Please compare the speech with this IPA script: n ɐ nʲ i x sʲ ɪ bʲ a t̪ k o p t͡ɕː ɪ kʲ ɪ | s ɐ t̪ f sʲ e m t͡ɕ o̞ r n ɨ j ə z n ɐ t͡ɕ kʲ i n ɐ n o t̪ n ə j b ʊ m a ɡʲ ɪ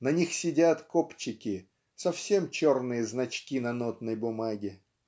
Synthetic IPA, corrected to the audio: n ɐ nʲ i x sʲ ɪ dʲ a t̪ k o p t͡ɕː ɪ kʲ ɪ | s ɐ f sʲ e m t͡ɕ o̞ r n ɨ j ə z n ɐ t͡ɕ kʲ i n ɐ n o t̪ n ə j b ʊ m a ɡʲ ɪ